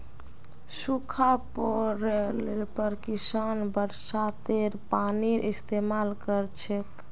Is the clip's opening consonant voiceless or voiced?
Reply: voiceless